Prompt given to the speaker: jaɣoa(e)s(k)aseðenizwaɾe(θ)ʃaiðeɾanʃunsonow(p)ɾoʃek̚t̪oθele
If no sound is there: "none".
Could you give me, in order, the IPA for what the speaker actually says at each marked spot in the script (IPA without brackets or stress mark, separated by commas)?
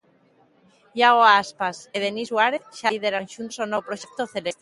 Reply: a, p, θ, p